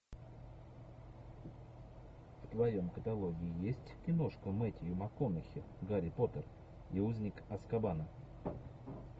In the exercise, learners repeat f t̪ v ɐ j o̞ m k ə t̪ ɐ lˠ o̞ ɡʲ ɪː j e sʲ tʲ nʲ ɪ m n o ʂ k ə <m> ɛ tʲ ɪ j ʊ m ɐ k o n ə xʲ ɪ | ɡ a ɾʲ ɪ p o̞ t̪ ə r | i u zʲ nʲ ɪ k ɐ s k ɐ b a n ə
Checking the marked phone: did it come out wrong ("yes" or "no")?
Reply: no